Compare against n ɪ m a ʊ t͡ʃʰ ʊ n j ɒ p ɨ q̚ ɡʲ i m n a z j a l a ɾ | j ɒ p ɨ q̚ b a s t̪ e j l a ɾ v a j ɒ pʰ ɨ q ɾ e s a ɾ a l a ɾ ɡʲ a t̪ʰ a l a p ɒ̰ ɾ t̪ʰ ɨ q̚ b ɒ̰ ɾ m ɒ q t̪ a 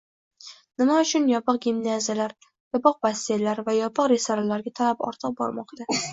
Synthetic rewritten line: n ɪ m a ʊ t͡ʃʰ ʊ n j ɒ p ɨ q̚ ɡʲ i m n a z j a l a ɾ | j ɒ p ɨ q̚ b a s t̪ e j l a ɾ v a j ɒ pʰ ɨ q ɾ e s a ɾ a l a ɾ ɡʲ a t̪ʰ a l a p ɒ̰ ɾ t̪ʰ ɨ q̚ b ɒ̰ ɾ m ɒ q t̪ a